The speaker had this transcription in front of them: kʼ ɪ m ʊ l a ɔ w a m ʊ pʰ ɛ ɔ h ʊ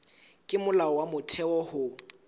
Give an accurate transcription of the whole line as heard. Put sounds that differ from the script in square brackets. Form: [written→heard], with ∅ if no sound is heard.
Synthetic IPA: kʼ ɪ m ʊ l a ɔ w a m ʊ [pʰ→tʰ] ɛ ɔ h ʊ